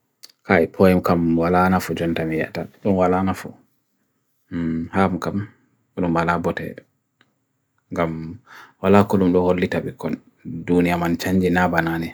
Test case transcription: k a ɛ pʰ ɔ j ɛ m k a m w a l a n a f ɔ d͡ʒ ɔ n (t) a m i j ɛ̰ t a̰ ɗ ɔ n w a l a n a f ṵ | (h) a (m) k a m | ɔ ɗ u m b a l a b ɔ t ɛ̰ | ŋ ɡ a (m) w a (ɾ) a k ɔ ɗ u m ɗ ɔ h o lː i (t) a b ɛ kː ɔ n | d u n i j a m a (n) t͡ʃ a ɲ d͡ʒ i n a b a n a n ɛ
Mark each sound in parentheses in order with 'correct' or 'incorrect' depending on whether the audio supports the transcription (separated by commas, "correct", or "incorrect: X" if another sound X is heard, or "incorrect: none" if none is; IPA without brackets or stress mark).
correct, correct, correct, correct, incorrect: l, correct, correct